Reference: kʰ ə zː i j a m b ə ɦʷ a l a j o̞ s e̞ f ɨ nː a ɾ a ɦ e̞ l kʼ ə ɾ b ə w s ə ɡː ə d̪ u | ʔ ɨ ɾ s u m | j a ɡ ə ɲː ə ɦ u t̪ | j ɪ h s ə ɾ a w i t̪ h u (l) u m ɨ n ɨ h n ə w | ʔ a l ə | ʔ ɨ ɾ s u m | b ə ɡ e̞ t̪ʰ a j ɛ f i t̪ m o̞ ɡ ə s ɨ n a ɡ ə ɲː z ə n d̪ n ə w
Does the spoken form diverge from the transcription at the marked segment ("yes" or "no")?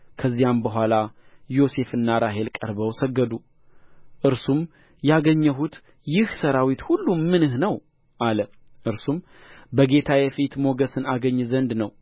yes